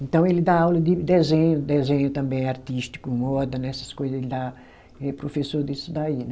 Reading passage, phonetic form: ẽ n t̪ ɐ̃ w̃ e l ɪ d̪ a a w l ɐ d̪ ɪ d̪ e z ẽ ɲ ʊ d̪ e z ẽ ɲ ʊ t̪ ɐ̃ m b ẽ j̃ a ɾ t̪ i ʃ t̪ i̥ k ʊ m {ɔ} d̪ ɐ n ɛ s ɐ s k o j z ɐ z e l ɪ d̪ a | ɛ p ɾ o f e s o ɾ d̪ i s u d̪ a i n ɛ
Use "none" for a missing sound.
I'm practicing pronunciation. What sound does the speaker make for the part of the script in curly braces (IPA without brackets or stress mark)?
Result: ɔ